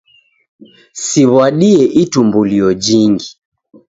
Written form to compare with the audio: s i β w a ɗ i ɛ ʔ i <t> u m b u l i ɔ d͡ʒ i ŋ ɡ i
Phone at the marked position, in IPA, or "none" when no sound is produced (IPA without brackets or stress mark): t